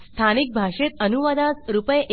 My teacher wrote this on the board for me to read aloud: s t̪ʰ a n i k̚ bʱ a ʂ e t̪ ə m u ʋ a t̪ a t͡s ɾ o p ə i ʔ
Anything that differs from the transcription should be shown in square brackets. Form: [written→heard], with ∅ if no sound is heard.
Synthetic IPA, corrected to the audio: s t̪ʰ a n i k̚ bʱ a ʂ e t̪ ə [m→n] u ʋ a [t̪→d̪] a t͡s ɾ [o→u] p ə [i→j] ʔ